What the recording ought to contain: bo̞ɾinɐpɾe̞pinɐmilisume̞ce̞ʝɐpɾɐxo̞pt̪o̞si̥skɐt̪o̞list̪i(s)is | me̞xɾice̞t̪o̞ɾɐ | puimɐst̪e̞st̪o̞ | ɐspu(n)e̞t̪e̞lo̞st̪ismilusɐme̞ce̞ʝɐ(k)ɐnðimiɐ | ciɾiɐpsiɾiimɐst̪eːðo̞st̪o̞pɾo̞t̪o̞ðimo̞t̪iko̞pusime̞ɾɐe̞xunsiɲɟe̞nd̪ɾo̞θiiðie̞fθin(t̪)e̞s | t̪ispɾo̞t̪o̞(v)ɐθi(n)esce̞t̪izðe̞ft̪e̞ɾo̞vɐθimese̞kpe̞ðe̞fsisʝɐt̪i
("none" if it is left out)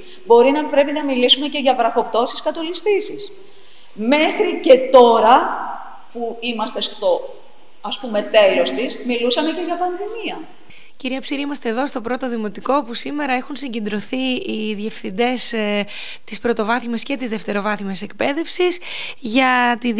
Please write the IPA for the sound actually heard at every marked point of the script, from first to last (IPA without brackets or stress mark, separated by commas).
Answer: s, m, p, d̪, v, m